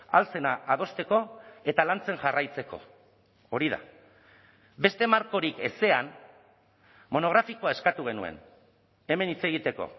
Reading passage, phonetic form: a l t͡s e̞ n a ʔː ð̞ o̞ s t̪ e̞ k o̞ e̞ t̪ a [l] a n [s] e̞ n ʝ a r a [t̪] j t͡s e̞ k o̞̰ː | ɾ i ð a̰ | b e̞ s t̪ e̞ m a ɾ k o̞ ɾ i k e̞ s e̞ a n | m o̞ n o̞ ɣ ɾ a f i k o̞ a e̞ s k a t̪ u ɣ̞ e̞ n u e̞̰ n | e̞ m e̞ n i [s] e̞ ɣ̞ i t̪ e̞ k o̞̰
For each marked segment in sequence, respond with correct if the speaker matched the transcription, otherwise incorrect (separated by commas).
correct, incorrect, incorrect, incorrect